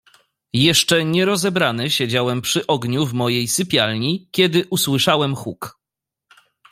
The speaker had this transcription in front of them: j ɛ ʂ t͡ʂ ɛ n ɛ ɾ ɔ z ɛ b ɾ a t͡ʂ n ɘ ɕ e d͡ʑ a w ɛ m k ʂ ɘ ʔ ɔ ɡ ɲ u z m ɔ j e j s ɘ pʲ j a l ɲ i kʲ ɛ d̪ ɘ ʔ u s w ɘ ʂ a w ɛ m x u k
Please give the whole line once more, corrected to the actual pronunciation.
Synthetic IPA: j ɛ ʂ t͡ʂ ɛ ɲ ɛ ɾ ɔ z ɛ b ɾ a n ɘ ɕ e d͡ʑ a w ɛ m p ʂ ɘ ʔ ɔ ɡ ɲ u v m ɔ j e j s ɘ pʲ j a l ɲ i kʲ ɛ d̪ ɘ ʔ u s w ɘ ʂ a w ɛ m x u k